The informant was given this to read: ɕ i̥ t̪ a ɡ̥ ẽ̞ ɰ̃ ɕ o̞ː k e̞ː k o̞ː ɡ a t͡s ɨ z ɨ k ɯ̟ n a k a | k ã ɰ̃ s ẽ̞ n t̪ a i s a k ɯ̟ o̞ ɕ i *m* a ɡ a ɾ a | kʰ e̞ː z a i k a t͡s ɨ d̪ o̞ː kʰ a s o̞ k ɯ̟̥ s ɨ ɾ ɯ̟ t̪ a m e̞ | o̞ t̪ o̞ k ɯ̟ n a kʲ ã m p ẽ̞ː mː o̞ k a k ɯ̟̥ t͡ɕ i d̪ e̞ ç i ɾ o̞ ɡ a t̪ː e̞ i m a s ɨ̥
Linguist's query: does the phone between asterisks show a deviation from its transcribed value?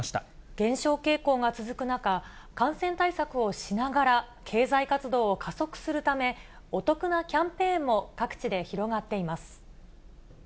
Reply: yes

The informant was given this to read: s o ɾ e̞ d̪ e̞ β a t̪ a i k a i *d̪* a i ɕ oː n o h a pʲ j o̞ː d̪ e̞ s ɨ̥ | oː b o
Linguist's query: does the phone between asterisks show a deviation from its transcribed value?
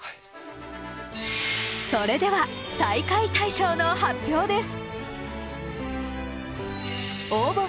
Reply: yes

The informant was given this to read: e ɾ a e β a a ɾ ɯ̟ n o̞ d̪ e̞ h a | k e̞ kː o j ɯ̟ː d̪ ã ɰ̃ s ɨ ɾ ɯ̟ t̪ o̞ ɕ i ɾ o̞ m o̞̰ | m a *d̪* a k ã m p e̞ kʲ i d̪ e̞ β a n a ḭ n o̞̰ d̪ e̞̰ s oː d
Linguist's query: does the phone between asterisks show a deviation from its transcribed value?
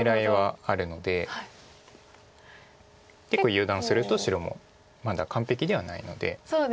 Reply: no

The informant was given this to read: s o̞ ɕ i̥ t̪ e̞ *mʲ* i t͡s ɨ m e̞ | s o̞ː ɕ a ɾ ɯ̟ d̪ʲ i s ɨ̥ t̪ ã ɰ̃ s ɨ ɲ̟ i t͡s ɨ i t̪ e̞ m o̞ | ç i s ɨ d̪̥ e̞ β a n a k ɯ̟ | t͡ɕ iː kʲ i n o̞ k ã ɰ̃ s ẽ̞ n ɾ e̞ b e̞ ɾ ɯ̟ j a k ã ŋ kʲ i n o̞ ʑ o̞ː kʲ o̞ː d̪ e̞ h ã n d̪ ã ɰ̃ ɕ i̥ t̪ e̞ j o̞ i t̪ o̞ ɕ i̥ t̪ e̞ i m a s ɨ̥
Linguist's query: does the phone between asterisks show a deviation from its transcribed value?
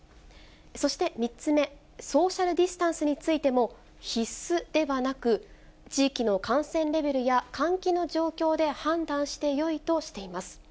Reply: no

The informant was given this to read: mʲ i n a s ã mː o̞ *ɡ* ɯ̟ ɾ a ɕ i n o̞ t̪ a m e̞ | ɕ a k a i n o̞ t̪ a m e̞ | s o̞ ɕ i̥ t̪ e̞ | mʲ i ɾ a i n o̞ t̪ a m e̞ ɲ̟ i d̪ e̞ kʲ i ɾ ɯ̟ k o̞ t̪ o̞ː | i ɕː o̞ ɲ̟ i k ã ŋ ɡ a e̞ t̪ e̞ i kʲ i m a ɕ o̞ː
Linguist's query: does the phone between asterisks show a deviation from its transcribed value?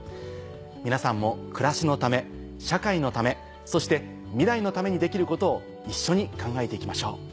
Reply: yes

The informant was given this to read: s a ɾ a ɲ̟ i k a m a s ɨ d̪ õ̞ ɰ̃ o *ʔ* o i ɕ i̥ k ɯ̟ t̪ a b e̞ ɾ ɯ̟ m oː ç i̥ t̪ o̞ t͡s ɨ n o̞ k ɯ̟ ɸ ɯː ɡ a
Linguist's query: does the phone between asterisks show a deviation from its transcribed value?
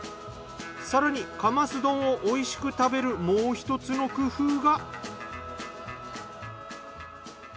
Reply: no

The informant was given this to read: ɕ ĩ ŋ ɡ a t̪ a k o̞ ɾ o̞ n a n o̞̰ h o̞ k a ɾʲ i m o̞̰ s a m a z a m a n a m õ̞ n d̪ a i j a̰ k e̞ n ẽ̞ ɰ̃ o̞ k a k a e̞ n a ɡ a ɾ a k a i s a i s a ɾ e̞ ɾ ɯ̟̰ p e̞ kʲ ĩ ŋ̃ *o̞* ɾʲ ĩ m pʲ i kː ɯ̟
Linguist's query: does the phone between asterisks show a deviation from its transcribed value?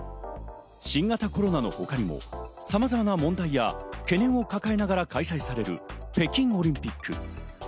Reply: no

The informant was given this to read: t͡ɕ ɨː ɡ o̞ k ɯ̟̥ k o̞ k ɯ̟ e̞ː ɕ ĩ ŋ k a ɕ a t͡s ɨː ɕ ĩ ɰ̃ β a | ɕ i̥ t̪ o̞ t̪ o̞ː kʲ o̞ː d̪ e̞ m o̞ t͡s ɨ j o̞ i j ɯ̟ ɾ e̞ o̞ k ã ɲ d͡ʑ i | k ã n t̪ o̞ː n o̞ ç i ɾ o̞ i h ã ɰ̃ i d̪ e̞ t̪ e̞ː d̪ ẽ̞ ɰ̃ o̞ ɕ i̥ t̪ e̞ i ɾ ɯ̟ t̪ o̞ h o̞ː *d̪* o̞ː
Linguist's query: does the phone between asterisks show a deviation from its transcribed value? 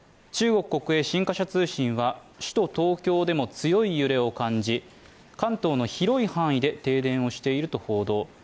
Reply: no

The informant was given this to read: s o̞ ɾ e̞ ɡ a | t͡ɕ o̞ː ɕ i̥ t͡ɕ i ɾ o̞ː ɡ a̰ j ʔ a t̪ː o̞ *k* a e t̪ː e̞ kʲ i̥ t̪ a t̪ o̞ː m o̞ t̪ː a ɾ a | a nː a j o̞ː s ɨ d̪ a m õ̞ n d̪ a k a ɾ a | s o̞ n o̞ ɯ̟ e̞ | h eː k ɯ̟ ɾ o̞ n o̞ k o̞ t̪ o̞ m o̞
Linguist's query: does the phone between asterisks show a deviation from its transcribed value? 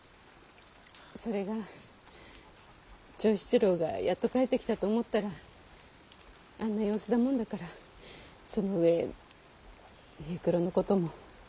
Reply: no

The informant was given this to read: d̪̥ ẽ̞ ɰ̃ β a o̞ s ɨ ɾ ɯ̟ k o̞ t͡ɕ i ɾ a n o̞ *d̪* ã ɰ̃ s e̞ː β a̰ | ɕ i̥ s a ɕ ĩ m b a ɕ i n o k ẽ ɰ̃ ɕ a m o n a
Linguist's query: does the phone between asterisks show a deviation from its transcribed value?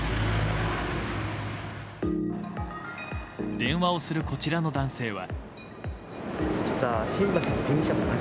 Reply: no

